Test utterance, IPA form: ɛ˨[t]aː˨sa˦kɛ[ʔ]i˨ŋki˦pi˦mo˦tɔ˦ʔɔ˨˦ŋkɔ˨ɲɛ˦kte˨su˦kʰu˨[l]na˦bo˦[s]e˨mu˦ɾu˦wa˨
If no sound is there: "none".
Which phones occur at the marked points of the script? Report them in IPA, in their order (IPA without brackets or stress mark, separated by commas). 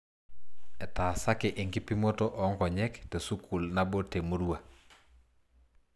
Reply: t, ʔ, l, t